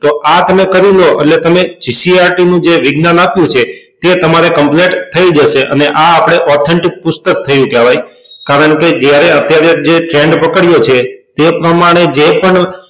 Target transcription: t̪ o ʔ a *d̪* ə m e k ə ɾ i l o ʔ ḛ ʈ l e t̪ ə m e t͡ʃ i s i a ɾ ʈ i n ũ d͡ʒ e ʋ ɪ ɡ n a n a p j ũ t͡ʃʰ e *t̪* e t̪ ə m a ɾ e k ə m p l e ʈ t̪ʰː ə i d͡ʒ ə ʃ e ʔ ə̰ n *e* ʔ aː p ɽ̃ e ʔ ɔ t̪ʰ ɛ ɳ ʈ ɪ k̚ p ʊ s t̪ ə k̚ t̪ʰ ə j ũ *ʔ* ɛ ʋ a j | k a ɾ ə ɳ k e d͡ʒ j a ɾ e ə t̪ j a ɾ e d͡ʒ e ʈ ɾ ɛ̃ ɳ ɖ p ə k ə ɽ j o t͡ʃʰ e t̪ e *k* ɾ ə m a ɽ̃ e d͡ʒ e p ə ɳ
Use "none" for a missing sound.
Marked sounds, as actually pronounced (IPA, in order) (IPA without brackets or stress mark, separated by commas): t̪, t̪, e, k, p